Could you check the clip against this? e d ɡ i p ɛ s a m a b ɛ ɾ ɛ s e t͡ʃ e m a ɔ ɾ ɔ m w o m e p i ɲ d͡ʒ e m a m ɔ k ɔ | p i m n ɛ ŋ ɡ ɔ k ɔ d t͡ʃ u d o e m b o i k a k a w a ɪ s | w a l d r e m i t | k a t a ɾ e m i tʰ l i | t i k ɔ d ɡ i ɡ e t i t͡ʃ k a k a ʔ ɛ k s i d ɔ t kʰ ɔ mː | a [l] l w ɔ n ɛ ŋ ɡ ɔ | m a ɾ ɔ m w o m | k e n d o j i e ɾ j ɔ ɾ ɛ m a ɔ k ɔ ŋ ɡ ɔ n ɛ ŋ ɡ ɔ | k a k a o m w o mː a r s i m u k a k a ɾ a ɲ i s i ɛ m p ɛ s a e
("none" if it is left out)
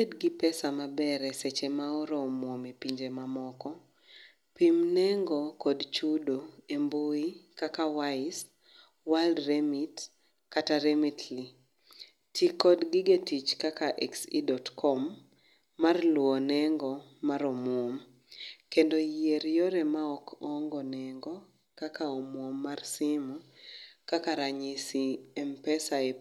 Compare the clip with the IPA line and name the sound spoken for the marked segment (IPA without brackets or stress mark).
r